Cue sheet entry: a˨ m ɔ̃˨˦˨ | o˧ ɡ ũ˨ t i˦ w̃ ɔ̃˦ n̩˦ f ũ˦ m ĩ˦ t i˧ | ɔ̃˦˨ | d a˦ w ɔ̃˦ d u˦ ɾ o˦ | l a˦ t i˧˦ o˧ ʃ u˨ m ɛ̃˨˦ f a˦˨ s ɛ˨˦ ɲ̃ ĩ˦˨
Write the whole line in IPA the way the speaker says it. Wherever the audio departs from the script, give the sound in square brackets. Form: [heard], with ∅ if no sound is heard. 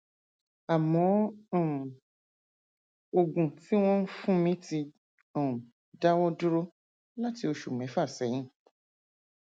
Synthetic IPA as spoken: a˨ m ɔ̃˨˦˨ | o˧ ɡ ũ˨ t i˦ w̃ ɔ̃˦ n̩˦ f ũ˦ m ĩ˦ t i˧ | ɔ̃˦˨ | d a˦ w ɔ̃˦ d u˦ ɾ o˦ | l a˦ t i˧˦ o˧ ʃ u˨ m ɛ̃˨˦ f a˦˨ s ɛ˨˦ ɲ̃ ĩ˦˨